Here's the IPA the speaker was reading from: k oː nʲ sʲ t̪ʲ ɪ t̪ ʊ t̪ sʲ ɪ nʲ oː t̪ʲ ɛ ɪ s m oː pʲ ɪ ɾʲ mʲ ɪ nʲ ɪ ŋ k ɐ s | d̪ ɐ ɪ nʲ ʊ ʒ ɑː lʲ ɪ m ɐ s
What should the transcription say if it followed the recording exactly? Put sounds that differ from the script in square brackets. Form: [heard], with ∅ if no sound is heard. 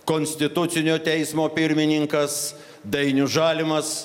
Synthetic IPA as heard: k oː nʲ sʲ t̪ʲ ɪ t̪ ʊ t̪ sʲ ɪ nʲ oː t̪ʲ ɛ ɪ s m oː pʲ ɪ ɾʲ mʲ ɪ nʲ ɪ ŋ k ɐ s | d̪ ɐ ɪ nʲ ʊ ʒ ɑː lʲ ɪ m ɐ s

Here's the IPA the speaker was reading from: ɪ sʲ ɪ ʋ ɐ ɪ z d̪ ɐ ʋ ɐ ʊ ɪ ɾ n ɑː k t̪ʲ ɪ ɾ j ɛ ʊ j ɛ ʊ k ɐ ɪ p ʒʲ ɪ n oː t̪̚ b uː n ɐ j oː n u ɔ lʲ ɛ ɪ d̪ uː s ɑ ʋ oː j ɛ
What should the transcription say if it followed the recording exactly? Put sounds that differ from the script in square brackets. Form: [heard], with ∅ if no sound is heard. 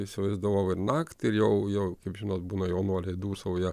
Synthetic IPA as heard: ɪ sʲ ɪ ʋ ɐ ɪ z d̪ ɐ ʋ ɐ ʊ ɪ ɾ n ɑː k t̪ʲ ɪ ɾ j ɛ ʊ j ɛ ʊ k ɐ ɪ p ʒʲ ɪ n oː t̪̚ b uː n ɐ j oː n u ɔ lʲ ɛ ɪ d̪ uː s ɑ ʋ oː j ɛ

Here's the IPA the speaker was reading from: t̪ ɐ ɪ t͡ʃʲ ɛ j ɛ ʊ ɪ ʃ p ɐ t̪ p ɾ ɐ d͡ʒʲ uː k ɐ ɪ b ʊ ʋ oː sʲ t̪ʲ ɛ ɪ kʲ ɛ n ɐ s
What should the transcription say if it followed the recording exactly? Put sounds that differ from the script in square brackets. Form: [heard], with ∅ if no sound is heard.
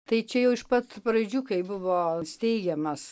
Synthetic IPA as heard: t̪ ɐ ɪ t͡ʃʲ ɛ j ɛ ʊ ɪ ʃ p ɐ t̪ p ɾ ɐ d͡ʒʲ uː k ɐ ɪ b ʊ ʋ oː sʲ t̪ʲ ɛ ɪ [ɡʲ] ɛ [m] ɐ s

